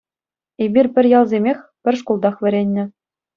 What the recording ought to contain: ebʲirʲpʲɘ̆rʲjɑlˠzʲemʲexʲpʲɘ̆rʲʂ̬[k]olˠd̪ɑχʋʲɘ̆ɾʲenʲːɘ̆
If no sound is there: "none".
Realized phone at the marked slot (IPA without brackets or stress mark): k